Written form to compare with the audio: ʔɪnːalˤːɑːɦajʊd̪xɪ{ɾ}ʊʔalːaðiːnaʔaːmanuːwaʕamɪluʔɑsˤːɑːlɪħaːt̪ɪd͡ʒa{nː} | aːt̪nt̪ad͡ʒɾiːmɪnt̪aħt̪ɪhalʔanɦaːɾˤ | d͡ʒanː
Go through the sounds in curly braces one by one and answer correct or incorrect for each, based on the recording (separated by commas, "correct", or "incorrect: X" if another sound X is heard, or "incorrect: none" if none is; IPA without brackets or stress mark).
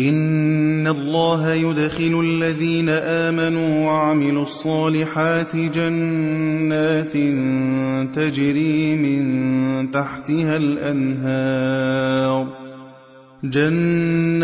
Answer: incorrect: l, correct